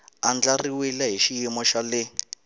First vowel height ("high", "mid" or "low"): low